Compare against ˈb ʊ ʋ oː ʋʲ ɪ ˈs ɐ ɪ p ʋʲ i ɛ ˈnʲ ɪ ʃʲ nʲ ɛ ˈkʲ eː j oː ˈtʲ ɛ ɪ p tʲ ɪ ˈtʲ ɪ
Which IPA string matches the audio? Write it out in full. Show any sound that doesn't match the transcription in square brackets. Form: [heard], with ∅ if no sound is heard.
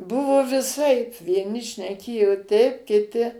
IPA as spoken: ˈb ʊ ʋ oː ʋʲ ɪ ˈs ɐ ɪ p ʋʲ i ɛ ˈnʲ ɪ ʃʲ nʲ ɛ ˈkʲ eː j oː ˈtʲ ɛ ɪ p [kʲ] ɪ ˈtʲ ɪ

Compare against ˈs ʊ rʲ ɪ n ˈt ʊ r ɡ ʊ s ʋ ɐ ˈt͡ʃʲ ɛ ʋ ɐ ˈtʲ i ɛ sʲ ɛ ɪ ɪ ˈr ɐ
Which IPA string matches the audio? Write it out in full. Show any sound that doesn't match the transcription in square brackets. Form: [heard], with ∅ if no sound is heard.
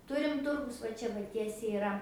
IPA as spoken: [ˈt] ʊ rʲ ɪ [m] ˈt ʊ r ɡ ʊ s ʋ ɐ ˈt͡ʃʲ ɛ ʋ ɐ ˈtʲ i ɛ sʲ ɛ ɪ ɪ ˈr ɐ

